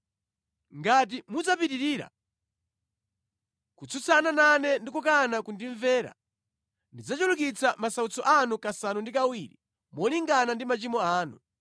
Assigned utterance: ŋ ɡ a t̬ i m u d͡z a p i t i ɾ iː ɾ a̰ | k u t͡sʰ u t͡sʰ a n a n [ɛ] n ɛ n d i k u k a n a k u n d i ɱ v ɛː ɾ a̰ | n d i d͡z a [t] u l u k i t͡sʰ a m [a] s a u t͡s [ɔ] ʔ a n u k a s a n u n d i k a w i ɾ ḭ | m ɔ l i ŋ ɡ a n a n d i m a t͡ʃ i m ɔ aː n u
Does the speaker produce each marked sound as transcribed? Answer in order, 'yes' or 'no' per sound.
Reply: no, no, yes, yes

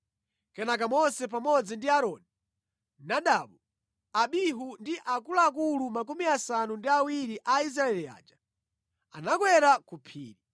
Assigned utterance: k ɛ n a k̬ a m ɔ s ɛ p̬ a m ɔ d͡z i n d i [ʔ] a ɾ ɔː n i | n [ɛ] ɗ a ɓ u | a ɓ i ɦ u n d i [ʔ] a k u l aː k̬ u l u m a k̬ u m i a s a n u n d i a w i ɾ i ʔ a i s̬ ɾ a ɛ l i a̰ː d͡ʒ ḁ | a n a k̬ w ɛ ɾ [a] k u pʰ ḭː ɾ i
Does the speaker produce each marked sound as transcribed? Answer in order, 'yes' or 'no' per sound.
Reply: no, no, yes, yes

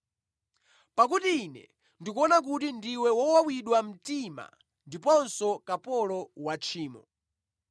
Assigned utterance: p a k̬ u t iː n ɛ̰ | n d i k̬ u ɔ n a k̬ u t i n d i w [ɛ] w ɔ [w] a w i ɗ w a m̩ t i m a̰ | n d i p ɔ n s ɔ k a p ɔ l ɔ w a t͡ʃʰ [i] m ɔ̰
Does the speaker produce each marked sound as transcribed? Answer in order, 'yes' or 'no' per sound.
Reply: yes, yes, no

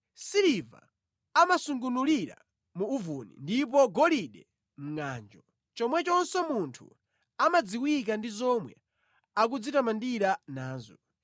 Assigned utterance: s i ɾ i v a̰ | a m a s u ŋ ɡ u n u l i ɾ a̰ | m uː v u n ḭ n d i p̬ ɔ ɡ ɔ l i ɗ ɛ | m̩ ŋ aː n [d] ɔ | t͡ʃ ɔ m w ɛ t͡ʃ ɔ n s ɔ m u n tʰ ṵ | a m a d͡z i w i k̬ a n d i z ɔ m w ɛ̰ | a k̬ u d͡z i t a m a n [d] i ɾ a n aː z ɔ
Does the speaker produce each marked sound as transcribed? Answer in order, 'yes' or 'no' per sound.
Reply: no, yes

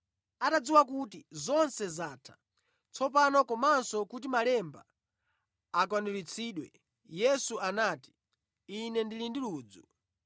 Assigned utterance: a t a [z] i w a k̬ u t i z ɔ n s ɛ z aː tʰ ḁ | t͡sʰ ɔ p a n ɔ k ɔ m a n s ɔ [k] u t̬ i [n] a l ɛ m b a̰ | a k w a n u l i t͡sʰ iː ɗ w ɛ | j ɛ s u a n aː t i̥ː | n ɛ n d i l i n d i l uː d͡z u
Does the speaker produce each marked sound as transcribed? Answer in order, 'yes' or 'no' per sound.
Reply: no, yes, no

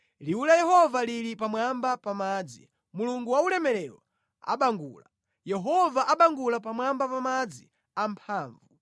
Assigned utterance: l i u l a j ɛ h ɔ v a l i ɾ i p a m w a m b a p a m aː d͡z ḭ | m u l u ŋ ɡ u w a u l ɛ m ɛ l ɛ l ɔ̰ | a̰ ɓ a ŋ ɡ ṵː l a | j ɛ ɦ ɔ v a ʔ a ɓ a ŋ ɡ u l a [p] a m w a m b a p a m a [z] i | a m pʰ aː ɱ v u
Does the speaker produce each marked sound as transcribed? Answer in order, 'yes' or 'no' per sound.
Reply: yes, no

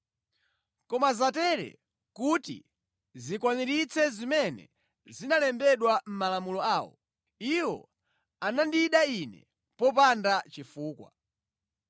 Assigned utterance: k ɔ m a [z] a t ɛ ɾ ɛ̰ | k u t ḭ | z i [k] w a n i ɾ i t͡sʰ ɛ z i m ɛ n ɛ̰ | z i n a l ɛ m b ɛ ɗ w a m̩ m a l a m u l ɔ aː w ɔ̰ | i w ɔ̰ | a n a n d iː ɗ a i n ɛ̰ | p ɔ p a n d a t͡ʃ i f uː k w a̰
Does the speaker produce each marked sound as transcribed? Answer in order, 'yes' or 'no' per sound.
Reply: yes, yes

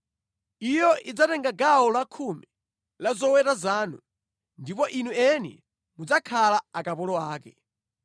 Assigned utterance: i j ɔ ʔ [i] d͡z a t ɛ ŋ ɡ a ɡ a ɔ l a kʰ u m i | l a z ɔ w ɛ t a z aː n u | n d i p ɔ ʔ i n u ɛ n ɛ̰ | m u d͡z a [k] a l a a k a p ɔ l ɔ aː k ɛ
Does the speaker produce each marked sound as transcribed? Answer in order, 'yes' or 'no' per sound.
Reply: yes, no

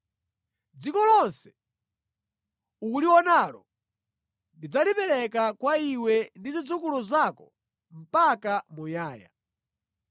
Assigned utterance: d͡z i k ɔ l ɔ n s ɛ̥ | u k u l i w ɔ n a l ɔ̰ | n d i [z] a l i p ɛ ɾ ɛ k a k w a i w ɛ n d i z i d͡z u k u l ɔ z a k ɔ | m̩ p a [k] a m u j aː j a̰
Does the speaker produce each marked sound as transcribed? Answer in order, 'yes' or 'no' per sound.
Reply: no, yes

